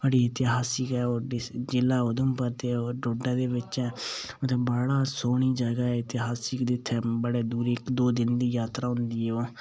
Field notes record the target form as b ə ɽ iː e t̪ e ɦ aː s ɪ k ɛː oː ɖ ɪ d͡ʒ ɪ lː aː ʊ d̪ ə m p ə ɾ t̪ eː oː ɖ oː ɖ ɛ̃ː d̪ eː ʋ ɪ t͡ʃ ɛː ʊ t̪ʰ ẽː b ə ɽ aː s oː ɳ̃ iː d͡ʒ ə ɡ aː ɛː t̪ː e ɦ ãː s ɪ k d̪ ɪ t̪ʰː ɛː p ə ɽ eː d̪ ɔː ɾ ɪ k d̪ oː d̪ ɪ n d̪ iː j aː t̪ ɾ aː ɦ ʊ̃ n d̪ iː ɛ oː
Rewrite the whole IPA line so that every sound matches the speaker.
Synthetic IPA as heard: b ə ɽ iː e t̪ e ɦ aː s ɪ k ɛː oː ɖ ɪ d͡ʒ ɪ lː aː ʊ d̪ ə m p ə ɾ t̪ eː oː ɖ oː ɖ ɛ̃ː d̪ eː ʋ ɪ t͡ʃ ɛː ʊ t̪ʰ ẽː b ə ɽ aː s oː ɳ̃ iː d͡ʒ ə ɡ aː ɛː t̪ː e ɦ aː s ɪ k d̪ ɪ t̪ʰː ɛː b ə ɽ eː d̪ uː ɾ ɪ k d̪ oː d̪ ɪ n d̪ iː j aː t̪ ɾ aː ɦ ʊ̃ n d̪ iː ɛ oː